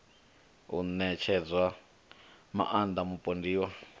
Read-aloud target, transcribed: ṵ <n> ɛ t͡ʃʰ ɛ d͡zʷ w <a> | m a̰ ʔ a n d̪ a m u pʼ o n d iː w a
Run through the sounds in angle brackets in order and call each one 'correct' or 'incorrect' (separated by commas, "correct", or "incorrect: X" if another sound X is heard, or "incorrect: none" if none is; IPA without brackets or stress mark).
correct, correct